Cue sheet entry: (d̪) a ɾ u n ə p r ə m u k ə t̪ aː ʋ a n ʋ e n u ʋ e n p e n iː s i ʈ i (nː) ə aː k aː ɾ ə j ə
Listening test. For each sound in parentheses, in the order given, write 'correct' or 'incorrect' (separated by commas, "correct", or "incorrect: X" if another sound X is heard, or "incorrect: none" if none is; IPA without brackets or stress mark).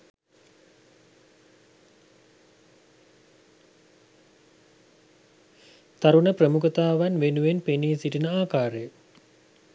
incorrect: t̪, incorrect: n